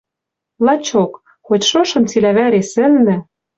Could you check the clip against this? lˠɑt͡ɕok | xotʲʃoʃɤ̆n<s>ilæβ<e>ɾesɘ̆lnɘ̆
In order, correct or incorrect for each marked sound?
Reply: incorrect: t͡s, incorrect: æ

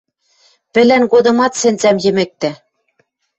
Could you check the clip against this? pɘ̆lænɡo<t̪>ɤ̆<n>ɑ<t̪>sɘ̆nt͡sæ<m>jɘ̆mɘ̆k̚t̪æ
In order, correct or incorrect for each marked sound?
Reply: incorrect: d̪, incorrect: m, correct, correct

